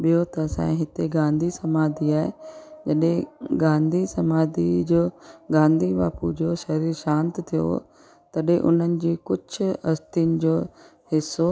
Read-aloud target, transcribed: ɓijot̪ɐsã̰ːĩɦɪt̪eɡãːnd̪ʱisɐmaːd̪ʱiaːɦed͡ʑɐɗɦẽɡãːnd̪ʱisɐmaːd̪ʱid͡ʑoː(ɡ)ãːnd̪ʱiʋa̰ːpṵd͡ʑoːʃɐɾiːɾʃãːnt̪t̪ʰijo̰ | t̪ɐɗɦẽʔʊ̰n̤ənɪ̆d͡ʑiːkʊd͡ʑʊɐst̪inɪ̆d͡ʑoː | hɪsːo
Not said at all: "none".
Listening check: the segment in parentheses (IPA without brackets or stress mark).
ɡ